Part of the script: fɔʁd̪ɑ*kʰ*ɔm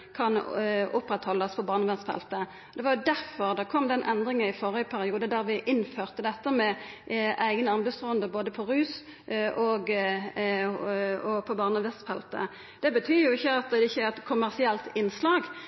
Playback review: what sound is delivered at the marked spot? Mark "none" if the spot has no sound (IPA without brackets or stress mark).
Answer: kʰ